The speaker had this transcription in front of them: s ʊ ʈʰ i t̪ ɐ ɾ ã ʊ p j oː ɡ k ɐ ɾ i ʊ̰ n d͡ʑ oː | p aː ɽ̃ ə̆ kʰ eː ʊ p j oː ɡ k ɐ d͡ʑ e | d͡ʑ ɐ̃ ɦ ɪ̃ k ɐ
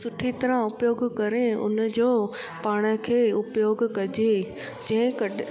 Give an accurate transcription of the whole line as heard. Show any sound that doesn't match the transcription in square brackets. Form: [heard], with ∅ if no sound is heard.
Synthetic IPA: s ʊ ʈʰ i t̪ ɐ ɾ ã ʊ p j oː ɡ k ɐ ɾ [e] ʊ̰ n d͡ʑ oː | p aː ɽ̃ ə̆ kʰ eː ʊ p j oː ɡ k ɐ d͡ʑ e | d͡ʑ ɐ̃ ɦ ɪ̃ k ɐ